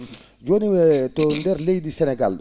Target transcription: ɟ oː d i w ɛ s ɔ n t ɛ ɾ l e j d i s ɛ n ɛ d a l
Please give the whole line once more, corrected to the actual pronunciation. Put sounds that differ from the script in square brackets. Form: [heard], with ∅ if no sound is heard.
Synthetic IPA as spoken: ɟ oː [n] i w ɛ [t] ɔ n [d] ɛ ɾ l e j d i s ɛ n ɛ [ɡ] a l